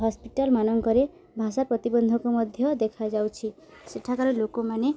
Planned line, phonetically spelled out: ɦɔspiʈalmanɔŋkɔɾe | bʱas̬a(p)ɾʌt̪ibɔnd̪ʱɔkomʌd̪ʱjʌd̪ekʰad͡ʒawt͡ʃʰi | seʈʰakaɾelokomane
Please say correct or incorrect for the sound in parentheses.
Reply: correct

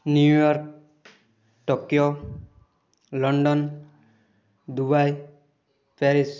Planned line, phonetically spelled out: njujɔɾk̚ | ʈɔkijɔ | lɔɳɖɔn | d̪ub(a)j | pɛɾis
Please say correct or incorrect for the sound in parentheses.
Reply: correct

